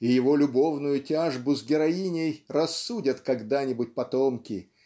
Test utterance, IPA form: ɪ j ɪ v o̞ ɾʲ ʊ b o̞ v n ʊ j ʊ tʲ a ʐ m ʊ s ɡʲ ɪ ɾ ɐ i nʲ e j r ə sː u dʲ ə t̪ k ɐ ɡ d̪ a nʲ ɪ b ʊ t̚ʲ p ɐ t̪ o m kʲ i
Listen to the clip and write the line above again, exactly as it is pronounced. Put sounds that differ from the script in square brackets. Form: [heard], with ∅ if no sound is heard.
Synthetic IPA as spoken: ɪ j ɪ v o̞ [lʲ] ʊ b o̞ v n ʊ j ʊ tʲ a ʐ [b] ʊ [z] ɡʲ ɪ ɾ ɐ i nʲ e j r [ɐ] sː u dʲ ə t̪ k ɐ ɡ d̪ a nʲ ɪ b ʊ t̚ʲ p ɐ t̪ o m kʲ [ɪ]